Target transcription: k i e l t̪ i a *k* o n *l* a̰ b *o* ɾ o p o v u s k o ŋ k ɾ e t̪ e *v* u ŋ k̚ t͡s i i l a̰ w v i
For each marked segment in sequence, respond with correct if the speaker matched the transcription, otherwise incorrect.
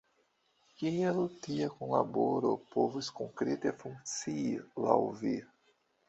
correct, correct, correct, incorrect: f

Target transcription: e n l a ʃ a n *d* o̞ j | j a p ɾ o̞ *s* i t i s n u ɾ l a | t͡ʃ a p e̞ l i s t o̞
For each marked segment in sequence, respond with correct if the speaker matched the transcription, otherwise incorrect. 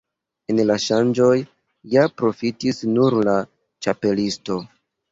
incorrect: d͡ʒ, incorrect: f

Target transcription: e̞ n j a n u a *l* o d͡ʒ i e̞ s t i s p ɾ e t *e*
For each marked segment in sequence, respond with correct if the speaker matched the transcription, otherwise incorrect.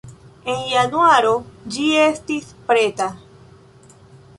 incorrect: ɾ, incorrect: a

